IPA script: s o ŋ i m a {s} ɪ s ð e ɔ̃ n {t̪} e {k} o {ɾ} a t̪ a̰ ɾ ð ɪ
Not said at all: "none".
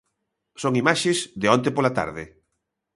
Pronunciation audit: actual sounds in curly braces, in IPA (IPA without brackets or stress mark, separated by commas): ʃ, t̪, p, l